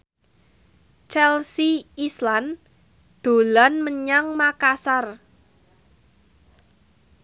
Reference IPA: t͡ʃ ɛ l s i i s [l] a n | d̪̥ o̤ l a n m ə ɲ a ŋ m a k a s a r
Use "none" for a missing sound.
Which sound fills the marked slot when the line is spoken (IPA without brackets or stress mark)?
l